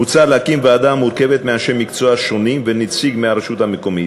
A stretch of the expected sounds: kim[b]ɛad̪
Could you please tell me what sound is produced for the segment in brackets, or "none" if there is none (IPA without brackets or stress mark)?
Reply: v